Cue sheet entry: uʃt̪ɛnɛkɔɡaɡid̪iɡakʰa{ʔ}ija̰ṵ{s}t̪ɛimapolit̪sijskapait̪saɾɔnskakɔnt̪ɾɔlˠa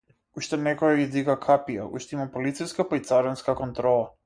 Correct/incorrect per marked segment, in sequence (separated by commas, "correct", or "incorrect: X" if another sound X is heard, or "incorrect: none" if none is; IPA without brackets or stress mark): incorrect: p, incorrect: ʃ